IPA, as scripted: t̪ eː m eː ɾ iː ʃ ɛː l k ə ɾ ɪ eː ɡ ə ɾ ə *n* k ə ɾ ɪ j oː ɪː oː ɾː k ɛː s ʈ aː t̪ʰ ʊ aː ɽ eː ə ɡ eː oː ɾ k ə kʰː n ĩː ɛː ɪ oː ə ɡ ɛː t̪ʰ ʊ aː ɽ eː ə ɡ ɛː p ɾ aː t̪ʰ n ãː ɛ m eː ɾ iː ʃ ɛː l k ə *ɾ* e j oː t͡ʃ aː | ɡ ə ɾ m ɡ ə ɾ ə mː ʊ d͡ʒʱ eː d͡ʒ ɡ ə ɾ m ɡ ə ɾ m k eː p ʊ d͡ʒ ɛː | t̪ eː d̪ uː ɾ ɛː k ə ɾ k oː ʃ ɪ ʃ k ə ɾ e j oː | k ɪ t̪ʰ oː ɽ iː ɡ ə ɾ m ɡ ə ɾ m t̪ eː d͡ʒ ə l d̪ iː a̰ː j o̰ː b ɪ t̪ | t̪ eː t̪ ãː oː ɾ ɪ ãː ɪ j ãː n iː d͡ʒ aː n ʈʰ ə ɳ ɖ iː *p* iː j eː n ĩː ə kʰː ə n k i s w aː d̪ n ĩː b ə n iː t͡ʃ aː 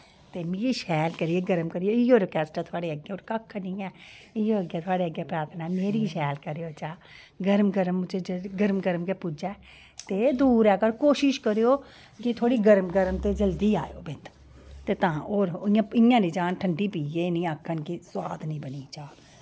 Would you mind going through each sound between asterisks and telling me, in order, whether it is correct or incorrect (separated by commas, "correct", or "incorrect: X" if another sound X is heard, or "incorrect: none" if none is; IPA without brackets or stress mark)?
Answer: incorrect: m, correct, correct